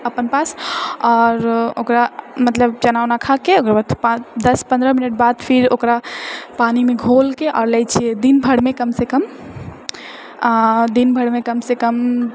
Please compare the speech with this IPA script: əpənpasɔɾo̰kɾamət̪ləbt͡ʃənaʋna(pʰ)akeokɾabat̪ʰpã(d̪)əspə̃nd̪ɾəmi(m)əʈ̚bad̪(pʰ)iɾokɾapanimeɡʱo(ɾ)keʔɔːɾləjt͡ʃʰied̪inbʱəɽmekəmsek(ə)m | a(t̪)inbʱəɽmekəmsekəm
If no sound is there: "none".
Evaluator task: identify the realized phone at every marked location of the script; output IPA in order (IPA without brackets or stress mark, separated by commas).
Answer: kʰ, d̪, n, pʰ, l, ə, d̪